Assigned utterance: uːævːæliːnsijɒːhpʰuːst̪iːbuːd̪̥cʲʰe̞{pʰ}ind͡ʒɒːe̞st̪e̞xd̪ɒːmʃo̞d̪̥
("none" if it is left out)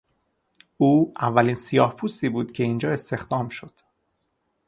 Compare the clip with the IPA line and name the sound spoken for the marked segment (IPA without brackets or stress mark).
none